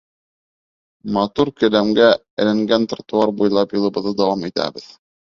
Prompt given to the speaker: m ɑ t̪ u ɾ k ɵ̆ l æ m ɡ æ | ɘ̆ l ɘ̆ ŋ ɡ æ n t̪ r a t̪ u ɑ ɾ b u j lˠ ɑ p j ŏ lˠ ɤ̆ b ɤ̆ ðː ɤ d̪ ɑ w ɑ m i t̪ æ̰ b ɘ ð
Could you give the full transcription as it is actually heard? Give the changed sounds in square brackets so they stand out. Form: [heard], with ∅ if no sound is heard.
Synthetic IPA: m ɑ t̪ u ɾ k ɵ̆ l æ m ɡ æ | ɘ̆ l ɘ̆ ŋ ɡ æ n t̪ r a t̪ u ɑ ɾ b u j lˠ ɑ p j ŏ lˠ ɤ̆ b ɤ̆ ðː ɤ d̪ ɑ w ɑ m i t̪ æ̰ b ɘ ð